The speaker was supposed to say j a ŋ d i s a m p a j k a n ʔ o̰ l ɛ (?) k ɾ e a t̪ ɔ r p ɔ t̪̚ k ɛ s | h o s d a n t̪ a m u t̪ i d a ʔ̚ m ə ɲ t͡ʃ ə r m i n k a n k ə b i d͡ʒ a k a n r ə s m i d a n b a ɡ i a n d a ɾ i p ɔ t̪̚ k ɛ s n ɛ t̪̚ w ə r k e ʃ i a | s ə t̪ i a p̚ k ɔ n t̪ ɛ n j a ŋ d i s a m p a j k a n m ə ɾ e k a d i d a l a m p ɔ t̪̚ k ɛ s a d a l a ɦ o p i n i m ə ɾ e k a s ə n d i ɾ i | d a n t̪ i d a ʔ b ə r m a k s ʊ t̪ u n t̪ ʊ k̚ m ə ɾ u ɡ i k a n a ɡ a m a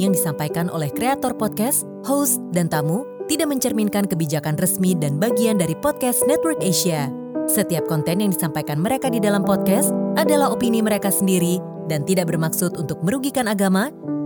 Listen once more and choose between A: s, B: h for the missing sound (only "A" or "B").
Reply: B